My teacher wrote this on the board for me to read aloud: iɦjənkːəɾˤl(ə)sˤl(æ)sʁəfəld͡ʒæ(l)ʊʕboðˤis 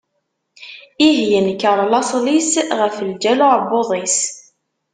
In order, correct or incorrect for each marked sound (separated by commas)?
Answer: incorrect, incorrect, correct